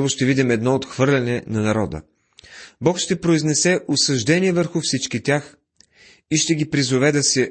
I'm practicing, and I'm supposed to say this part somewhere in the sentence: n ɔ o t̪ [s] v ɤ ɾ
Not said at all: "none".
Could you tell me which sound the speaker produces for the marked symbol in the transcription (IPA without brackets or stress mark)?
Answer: x